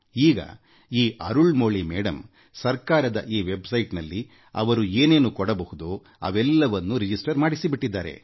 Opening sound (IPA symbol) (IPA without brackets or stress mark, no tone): iː